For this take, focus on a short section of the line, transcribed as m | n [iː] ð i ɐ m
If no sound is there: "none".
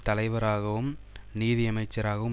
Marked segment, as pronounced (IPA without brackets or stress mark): iː